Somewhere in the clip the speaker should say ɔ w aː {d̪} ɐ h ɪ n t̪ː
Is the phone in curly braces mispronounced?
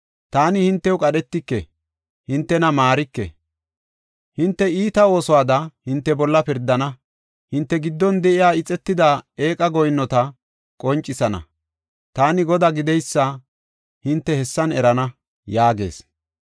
no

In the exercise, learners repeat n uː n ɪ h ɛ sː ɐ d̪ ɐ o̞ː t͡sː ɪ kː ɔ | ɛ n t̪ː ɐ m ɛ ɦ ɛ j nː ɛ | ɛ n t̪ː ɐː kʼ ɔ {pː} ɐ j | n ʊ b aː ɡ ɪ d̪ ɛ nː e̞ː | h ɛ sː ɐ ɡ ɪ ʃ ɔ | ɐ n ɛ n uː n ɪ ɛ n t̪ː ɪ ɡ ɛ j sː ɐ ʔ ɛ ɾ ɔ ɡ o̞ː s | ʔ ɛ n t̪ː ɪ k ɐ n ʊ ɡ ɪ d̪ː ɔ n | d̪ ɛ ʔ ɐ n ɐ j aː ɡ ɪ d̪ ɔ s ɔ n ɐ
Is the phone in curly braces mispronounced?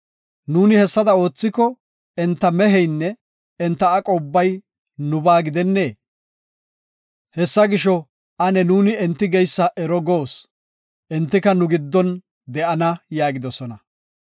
yes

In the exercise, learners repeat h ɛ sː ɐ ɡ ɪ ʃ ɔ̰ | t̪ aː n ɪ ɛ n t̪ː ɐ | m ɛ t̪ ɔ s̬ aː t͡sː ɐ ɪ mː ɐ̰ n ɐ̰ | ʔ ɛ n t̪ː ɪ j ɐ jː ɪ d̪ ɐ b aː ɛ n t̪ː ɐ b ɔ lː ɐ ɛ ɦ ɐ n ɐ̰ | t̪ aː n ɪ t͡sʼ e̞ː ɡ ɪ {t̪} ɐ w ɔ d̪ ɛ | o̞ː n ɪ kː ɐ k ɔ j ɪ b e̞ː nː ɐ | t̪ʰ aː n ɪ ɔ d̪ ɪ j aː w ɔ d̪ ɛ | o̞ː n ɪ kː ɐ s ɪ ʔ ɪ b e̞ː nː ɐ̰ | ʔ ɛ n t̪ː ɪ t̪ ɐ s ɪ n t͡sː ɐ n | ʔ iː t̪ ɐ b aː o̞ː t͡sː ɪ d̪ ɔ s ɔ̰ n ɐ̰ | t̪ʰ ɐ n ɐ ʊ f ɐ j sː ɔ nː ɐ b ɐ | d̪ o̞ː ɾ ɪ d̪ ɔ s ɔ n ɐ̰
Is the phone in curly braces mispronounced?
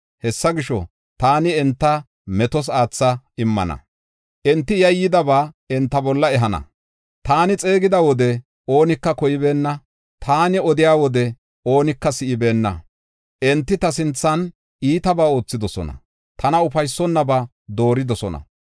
yes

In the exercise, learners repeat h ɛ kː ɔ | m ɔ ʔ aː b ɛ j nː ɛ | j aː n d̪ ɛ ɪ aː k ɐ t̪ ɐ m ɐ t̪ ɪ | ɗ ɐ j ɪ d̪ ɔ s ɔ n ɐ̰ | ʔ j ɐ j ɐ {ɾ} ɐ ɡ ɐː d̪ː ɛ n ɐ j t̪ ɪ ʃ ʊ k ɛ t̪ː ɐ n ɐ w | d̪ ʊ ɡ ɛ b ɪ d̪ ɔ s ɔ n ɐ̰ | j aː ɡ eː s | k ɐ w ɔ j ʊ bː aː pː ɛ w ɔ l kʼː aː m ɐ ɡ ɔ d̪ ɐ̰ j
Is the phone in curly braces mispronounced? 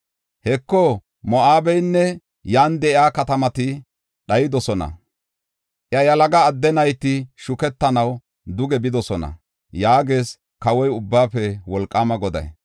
yes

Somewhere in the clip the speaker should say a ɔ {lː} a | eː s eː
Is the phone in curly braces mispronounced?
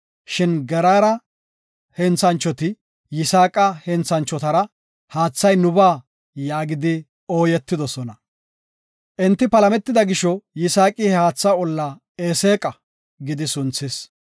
no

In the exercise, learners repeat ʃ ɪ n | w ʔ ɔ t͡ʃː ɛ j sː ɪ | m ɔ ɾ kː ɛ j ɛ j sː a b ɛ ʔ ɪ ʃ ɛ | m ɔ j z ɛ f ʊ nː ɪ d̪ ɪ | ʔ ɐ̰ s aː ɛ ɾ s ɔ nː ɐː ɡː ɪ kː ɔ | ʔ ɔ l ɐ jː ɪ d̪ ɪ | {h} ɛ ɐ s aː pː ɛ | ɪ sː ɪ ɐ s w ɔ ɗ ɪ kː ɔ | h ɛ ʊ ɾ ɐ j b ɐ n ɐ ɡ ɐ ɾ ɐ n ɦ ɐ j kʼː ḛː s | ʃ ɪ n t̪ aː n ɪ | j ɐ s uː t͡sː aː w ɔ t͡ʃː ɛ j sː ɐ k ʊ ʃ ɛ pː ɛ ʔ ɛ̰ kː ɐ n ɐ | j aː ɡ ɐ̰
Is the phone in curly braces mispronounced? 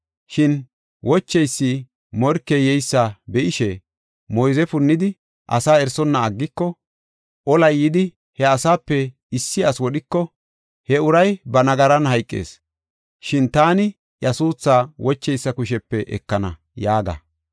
no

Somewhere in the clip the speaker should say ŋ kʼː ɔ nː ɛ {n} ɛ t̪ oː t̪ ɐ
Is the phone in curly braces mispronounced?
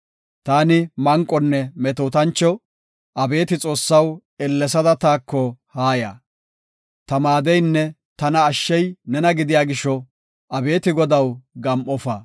yes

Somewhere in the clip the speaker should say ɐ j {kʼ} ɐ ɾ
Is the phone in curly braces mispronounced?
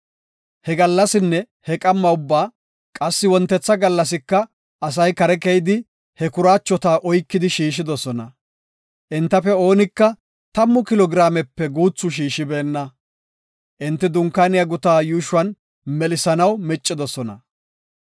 yes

